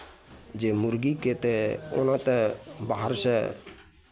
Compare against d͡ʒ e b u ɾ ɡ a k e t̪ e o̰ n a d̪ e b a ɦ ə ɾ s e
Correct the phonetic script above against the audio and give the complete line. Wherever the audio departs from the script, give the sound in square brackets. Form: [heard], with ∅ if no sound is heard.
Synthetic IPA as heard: d͡ʒ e [m] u ɾ ɡ [i] k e t̪ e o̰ n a [t̪] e b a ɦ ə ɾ s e